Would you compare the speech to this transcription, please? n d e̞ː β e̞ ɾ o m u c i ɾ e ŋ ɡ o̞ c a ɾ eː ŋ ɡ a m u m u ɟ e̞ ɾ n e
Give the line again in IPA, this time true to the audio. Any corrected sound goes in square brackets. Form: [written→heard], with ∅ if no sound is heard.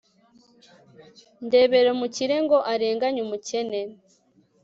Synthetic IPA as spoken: n d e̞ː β e̞ ɾ o m u c i ɾ e ŋ ɡ o̞ [c→ʔ] a ɾ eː ŋ ɡ a [m→ɲ] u m u [ɟ→c] e̞ [ɾ→∅] n e